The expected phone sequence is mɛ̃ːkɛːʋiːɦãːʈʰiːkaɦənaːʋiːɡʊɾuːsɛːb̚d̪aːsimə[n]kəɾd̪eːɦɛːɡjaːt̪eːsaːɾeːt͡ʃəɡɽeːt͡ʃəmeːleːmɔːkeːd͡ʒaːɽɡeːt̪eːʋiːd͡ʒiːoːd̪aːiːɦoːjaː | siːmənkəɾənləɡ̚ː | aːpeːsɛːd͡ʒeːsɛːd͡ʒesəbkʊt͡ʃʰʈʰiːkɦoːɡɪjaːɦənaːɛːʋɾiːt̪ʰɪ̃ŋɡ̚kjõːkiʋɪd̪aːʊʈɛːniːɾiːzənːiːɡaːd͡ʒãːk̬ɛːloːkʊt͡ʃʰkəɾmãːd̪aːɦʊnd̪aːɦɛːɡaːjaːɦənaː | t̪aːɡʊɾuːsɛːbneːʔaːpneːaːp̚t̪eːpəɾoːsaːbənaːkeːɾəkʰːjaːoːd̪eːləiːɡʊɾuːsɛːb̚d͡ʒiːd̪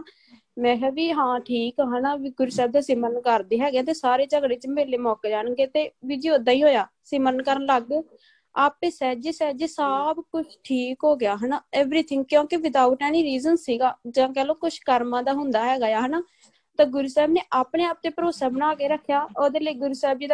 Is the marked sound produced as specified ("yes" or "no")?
yes